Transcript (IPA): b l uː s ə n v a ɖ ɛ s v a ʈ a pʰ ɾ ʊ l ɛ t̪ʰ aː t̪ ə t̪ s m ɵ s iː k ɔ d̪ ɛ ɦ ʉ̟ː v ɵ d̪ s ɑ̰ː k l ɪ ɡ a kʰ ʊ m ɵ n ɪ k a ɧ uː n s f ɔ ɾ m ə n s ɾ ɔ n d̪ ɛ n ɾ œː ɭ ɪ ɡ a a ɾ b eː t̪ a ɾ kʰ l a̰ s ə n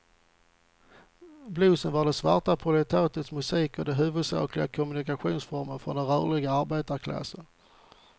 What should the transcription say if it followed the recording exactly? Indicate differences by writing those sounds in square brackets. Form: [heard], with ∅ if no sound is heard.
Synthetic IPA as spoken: b l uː s ə n v a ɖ ɛ s v a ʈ a pʰ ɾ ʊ l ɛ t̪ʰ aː t̪ ə t̪ s m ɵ s iː k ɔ d̪ ɛ ɦ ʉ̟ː v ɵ d̪ s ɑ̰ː k l ɪ ɡ a kʰ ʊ m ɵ n ɪ k a ɧ uː n s f ɔ ɾ m ə n [f] ɾ ɔ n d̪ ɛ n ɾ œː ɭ ɪ ɡ a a ɾ b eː t̪ a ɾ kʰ l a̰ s ə n